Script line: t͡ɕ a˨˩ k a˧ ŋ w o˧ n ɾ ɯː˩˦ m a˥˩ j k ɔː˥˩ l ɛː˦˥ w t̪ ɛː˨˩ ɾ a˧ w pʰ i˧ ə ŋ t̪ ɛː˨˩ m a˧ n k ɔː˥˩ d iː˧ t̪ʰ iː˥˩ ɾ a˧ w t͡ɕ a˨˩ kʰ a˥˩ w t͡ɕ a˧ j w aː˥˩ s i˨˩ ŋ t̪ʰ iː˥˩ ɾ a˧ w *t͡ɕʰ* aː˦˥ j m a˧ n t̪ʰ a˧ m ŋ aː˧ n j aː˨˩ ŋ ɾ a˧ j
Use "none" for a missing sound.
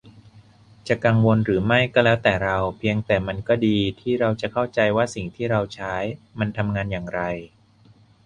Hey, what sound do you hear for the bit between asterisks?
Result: t͡ɕʰ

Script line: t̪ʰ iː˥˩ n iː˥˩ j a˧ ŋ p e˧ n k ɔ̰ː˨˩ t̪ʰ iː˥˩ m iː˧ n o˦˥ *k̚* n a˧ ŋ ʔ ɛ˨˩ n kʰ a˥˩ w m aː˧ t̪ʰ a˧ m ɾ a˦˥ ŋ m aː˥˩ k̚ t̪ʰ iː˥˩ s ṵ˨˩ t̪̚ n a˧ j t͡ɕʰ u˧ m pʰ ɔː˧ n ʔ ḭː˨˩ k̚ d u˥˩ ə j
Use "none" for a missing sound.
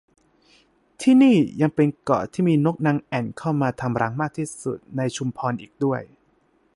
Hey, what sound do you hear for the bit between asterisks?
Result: k̚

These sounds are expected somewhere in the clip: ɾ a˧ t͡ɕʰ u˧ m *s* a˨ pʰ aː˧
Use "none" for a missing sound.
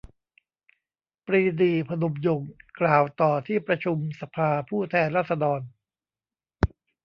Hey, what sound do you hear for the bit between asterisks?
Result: s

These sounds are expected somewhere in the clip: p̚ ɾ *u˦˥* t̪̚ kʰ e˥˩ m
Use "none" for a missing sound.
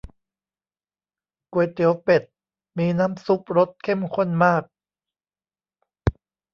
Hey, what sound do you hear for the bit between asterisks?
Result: o˦˥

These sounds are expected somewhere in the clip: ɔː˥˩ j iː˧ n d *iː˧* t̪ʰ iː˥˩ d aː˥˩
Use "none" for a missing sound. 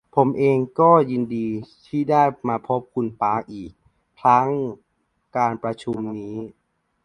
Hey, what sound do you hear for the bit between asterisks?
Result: iː˧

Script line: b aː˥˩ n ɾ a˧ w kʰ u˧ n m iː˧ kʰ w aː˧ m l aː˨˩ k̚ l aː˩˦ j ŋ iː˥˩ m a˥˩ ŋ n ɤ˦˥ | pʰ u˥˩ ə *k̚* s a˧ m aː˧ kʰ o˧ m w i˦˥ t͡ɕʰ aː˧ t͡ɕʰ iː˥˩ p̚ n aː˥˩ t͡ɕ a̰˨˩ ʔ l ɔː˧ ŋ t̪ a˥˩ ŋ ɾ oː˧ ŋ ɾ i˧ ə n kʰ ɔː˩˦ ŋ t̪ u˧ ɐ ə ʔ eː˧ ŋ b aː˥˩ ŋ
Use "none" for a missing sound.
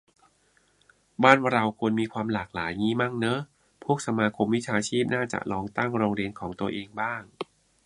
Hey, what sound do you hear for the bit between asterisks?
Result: k̚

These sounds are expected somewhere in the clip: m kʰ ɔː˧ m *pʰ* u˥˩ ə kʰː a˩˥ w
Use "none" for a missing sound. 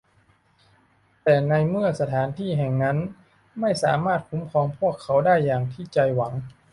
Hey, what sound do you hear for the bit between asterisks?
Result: pʰ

